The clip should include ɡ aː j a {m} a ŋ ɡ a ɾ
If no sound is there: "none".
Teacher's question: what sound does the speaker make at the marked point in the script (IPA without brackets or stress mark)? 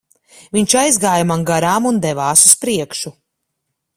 m